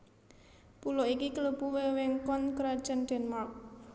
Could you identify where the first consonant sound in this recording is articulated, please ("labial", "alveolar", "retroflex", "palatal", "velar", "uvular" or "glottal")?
labial